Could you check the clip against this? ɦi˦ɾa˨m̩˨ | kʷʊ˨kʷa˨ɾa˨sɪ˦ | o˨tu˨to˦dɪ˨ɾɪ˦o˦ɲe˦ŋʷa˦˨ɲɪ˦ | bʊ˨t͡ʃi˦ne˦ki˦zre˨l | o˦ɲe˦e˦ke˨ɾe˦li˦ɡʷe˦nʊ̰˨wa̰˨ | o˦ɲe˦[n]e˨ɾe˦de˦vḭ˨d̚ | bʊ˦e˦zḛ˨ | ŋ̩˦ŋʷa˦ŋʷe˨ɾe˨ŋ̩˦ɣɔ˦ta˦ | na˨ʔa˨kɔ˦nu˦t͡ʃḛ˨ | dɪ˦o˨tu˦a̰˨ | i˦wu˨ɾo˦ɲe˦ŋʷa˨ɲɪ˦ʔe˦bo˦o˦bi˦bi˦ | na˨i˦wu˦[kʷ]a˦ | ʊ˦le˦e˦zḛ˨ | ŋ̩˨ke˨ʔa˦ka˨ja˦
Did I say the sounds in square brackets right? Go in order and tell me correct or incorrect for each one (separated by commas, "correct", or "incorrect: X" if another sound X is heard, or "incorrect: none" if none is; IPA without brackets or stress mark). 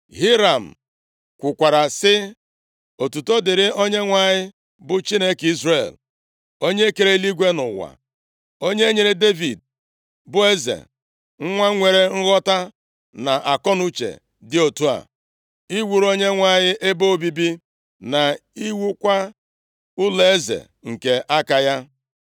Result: incorrect: ɲ, correct